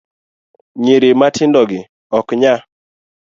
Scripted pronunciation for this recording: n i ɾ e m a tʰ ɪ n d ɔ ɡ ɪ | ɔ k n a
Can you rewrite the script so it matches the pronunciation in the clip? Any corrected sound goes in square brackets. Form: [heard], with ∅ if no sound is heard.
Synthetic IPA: [ɲ] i ɾ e m a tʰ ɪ n d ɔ ɡ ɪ | ɔ k [ɲ] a